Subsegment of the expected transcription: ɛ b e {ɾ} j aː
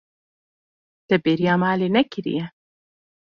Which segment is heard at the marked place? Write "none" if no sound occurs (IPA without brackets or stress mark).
ɾ